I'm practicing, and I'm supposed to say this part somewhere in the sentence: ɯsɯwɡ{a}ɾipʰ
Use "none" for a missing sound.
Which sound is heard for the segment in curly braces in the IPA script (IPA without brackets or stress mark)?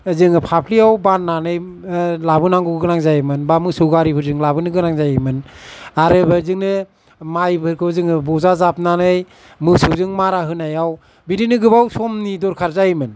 a